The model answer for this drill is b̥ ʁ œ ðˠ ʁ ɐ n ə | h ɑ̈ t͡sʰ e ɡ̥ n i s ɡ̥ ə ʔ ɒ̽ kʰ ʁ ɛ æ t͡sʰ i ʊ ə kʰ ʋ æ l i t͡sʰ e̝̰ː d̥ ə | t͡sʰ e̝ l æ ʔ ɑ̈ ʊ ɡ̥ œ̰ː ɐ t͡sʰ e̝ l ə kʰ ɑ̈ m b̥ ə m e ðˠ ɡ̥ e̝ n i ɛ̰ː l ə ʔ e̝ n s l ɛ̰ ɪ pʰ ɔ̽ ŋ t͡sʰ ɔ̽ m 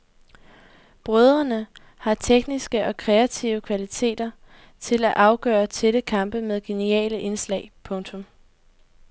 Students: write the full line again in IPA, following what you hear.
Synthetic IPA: b̥ ʁ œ ðˠ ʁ ɐ n ə | h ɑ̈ t͡sʰ e ɡ̥ n i s ɡ̥ ə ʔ ɒ̽ kʰ ʁ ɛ æ t͡sʰ i ʊ ə kʰ ʋ æ l i t͡sʰ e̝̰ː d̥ ɐ | t͡sʰ e̝ l æ ʔ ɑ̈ ʊ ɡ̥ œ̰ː ɐ t͡sʰ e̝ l ə kʰ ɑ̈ m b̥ ə m e ðˠ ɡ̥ e̝ n i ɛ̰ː l ə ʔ e̝ n s l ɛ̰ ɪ pʰ ɔ̽ ŋ t͡sʰ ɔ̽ m